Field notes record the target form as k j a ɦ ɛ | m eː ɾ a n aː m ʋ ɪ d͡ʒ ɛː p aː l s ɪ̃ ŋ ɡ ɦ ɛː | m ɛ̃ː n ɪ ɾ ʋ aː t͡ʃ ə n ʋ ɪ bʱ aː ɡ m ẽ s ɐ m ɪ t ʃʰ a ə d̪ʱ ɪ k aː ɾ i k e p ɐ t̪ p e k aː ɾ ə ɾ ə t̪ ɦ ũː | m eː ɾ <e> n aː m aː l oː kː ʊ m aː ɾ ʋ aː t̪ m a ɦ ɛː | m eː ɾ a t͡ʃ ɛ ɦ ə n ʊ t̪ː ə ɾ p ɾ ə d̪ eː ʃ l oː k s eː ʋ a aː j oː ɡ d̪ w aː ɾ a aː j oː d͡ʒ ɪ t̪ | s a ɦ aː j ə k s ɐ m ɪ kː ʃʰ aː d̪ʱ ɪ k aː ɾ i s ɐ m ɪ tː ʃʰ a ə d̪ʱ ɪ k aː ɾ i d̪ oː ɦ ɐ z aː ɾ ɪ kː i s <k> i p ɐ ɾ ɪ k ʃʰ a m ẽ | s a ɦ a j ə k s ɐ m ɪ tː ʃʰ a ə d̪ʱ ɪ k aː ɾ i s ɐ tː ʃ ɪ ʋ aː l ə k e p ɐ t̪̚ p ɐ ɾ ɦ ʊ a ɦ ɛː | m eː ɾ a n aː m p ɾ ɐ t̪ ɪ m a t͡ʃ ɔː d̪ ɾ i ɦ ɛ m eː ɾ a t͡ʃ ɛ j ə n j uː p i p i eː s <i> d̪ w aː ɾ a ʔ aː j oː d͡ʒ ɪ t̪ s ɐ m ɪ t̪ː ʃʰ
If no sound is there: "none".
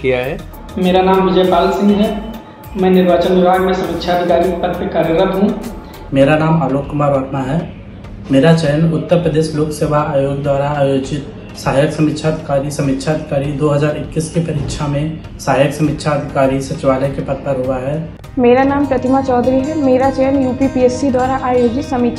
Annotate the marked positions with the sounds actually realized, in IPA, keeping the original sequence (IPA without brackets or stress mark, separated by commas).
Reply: a, k, i